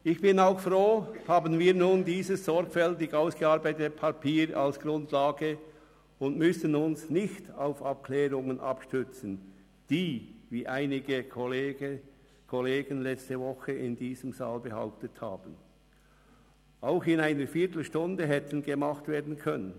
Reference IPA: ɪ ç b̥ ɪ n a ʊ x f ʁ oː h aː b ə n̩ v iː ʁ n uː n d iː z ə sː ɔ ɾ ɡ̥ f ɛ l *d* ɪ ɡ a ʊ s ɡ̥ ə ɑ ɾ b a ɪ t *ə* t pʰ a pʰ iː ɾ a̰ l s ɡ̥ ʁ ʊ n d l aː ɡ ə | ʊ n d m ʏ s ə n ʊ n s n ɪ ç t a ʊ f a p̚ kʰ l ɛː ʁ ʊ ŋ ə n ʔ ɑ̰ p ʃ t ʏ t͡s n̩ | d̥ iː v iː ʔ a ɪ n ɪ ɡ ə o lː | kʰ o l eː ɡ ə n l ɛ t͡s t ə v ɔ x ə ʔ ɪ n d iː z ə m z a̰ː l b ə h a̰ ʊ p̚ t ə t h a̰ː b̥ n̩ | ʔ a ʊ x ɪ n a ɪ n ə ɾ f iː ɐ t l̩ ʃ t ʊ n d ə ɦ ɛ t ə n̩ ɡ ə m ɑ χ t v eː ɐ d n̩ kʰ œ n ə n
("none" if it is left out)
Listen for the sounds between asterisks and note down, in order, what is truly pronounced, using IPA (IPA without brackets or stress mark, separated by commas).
t, ə